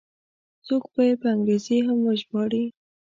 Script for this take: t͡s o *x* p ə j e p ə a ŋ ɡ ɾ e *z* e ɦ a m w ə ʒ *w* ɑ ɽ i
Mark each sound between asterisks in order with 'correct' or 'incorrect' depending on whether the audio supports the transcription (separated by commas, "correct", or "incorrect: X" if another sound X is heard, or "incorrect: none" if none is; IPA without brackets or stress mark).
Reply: incorrect: k, correct, incorrect: b